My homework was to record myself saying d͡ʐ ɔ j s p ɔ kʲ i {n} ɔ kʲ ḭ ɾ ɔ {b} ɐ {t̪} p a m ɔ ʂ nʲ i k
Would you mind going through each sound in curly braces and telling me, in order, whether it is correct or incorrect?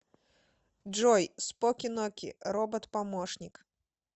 correct, correct, correct

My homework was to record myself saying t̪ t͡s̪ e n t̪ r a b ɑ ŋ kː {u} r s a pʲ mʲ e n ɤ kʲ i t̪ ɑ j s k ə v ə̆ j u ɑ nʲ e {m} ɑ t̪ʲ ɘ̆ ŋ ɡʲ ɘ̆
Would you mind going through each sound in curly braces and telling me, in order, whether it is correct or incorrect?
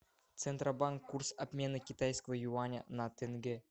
correct, incorrect: n

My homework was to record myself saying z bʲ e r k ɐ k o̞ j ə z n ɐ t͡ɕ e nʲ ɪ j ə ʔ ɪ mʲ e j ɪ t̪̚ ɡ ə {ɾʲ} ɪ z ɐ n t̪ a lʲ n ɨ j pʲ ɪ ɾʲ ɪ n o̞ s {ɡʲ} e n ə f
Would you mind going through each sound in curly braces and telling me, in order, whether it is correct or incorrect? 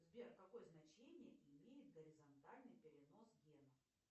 correct, correct

